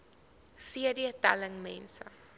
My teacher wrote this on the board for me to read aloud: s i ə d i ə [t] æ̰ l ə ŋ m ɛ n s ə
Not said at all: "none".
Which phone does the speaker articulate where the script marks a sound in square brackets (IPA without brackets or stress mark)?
t